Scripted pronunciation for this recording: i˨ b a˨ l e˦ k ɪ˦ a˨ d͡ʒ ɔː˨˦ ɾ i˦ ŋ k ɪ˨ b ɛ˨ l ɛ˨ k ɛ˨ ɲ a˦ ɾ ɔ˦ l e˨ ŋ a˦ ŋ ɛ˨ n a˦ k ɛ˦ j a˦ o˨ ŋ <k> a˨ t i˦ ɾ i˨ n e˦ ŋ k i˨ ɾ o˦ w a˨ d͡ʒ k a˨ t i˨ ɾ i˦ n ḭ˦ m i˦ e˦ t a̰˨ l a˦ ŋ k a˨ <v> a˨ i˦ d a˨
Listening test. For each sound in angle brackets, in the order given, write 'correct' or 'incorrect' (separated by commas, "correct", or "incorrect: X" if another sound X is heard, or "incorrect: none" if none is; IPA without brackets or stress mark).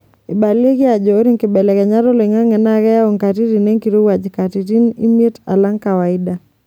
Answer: correct, incorrect: w